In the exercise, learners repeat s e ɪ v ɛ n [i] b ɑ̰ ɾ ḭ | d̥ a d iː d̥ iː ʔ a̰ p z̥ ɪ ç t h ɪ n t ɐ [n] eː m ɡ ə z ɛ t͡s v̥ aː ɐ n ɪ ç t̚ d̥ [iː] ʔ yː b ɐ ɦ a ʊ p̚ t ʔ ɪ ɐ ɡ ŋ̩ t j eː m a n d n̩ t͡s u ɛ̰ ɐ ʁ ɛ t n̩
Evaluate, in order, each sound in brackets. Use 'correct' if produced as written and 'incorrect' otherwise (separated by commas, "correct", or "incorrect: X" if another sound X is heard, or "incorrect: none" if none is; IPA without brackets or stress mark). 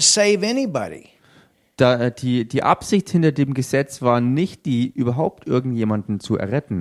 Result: correct, incorrect: d, correct